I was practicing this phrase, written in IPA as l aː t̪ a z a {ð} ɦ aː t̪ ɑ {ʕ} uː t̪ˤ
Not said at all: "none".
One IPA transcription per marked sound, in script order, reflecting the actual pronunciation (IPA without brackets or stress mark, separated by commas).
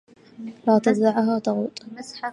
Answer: ʕ, ɣ